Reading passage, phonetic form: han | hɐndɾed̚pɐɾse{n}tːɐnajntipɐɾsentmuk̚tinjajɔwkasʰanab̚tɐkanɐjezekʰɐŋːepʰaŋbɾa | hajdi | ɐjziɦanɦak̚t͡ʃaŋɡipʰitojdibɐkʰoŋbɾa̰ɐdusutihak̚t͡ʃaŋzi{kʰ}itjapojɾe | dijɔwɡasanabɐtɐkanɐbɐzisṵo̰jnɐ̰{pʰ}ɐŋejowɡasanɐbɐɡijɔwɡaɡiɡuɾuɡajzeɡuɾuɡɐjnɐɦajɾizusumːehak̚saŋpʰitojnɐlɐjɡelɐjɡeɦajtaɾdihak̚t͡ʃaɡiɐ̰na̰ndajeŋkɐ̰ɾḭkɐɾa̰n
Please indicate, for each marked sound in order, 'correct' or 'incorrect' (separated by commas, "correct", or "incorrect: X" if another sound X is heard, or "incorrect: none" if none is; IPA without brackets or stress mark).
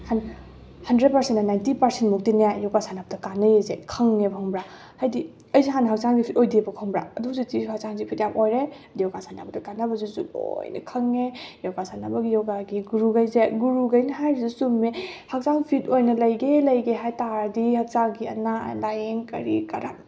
correct, incorrect: pʰ, incorrect: kʰ